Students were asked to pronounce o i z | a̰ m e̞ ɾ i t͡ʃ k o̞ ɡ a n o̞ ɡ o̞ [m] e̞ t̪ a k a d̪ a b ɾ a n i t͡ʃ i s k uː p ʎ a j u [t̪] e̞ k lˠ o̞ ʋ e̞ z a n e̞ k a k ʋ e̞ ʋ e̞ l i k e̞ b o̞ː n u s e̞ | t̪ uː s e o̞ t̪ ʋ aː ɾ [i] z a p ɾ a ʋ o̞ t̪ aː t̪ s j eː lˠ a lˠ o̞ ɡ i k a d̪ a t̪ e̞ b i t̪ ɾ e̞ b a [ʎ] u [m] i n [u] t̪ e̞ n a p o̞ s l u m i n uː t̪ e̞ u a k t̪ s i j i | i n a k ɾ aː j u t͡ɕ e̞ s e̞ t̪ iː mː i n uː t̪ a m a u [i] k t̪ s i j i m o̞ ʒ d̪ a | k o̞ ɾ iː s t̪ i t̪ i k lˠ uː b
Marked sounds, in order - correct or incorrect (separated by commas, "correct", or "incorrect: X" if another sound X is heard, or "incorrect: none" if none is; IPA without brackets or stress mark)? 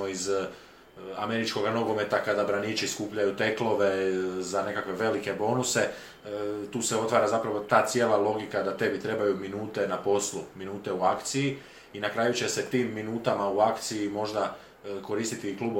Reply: correct, correct, incorrect: a, incorrect: j, correct, incorrect: uː, incorrect: a